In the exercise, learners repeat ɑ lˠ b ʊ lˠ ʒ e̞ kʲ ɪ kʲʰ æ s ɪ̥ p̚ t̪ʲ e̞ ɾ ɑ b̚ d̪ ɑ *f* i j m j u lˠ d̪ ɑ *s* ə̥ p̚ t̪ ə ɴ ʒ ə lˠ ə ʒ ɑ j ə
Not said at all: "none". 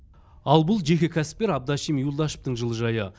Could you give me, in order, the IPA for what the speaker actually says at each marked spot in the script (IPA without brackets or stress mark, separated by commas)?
ʃ, ʃ